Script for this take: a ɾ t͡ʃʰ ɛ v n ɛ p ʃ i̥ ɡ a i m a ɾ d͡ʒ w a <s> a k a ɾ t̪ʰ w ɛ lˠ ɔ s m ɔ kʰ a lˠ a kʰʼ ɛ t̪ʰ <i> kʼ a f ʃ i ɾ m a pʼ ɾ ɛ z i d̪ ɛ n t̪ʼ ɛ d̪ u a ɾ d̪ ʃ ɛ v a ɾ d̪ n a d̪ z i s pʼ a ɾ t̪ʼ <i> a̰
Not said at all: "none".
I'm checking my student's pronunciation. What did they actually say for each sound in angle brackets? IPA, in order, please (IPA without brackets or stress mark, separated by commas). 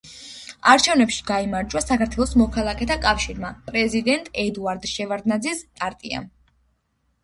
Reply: s, a, i